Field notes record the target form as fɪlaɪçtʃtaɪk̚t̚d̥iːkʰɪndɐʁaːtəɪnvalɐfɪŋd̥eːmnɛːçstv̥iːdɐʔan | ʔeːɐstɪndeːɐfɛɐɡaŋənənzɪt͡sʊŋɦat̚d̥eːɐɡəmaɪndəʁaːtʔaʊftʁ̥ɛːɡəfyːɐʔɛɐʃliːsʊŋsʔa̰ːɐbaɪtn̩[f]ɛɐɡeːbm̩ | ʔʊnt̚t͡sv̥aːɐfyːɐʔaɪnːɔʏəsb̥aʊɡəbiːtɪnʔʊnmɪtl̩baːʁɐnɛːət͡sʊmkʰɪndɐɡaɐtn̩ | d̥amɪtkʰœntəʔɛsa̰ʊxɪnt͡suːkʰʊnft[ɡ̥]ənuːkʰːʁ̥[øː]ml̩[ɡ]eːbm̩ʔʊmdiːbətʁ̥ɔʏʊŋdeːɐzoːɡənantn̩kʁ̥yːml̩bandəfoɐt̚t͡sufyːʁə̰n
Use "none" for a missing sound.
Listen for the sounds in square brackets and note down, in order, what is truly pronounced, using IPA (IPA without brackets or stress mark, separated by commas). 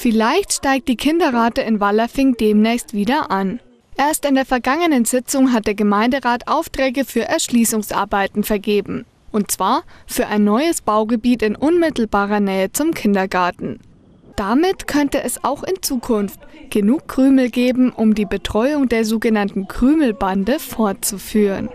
f, ɡ̥, yː, ɡ